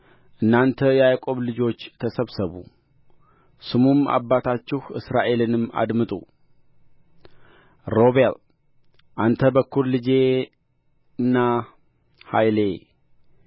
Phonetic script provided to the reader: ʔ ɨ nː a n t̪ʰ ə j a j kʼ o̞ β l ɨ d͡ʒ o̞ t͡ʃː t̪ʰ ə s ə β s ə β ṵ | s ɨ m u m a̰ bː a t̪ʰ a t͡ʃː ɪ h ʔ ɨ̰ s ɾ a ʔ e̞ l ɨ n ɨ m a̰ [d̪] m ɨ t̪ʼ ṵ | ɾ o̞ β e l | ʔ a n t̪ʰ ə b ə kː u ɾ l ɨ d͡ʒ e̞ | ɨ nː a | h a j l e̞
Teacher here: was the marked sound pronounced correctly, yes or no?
yes